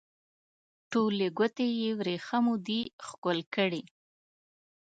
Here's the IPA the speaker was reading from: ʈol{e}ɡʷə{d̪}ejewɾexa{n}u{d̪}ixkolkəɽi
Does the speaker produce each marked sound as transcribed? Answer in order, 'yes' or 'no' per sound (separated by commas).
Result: yes, no, no, yes